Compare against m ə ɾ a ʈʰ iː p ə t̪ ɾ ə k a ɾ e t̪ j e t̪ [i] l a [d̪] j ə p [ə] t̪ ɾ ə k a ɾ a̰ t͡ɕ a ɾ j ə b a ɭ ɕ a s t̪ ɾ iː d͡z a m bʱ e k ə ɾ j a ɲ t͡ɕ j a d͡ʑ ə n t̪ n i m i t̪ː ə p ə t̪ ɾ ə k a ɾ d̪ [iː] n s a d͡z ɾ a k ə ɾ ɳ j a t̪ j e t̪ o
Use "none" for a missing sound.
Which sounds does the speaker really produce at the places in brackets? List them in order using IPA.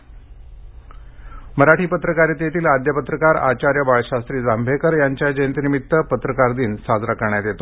iː, d̪, ə, iː

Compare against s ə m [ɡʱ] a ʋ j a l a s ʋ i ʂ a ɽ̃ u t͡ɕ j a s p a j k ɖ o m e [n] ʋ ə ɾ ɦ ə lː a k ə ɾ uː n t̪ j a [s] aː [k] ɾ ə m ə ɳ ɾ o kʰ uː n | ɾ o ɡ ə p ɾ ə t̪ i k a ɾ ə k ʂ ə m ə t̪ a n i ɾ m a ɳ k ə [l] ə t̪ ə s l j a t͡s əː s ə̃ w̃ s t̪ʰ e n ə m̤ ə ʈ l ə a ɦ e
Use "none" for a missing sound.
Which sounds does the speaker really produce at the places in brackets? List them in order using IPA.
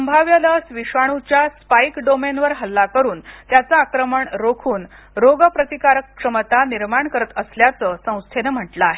bʱ, n, t͡s, k, ɾ

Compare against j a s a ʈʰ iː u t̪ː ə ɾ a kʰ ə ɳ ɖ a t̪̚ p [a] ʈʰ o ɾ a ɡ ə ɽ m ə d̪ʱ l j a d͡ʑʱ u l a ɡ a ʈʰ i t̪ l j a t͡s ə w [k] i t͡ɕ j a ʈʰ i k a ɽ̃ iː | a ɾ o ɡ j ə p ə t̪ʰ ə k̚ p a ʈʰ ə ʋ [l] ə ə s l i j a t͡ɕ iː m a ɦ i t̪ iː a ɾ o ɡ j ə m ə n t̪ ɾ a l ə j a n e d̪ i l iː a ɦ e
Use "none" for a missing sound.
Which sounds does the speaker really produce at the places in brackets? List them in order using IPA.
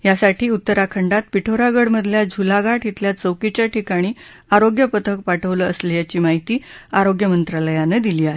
i, k, l

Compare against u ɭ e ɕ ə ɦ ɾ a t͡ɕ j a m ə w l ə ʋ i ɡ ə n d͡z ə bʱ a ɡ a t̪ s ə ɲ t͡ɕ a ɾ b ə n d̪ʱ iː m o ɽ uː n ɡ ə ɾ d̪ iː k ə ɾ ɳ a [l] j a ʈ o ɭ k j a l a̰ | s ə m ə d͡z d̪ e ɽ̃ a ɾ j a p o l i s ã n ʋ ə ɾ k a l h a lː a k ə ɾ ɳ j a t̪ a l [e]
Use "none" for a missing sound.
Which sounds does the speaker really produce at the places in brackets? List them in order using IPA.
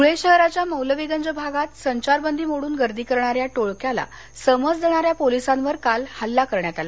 ɾ, a

